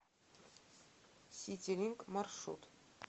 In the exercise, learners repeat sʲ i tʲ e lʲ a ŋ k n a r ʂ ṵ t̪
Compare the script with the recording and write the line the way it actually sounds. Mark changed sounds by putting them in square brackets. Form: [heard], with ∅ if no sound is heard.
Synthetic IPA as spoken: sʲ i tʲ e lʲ [i] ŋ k [m] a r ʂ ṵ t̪